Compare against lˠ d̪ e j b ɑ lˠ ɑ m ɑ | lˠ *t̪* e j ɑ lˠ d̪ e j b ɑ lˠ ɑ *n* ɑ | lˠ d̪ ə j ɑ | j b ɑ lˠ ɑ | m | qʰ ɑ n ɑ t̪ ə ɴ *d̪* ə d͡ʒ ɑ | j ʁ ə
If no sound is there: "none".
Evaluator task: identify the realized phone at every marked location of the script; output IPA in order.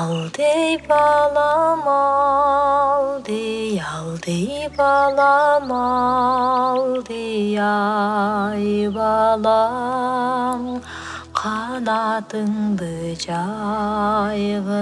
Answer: d̪, m, d̪

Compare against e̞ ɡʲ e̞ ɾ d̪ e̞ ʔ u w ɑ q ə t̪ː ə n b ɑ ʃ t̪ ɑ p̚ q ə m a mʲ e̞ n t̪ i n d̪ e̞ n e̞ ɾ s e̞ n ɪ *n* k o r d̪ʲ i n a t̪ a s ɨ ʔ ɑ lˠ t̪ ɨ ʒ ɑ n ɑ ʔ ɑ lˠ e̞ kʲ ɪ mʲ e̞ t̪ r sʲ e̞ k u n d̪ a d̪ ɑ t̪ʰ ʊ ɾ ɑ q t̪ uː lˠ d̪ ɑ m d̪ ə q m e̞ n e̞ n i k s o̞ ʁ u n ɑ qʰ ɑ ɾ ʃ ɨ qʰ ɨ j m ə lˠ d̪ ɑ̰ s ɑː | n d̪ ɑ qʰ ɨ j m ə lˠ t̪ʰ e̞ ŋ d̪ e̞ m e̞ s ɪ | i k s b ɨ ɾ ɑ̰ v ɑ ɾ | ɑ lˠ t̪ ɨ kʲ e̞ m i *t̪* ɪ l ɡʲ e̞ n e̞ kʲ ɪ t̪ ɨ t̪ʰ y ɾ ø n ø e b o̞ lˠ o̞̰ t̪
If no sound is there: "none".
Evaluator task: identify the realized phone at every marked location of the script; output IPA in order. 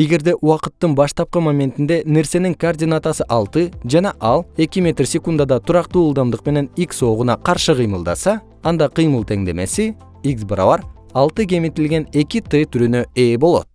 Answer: ŋ, t̪

